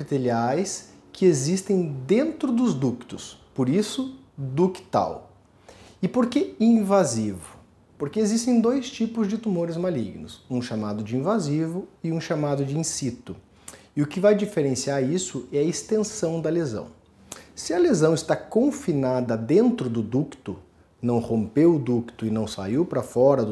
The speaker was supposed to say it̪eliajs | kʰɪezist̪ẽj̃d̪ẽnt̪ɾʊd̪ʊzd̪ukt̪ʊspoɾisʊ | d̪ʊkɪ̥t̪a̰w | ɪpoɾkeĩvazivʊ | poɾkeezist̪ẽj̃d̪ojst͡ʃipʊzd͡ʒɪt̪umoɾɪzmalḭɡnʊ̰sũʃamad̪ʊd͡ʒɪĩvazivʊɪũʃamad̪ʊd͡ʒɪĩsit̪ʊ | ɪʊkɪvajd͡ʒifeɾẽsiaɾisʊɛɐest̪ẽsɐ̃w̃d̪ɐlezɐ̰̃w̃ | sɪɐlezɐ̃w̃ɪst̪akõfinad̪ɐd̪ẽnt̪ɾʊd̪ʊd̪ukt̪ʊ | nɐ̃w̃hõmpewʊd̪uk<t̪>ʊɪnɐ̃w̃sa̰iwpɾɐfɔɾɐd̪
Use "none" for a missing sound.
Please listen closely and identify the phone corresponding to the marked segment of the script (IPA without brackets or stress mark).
t̪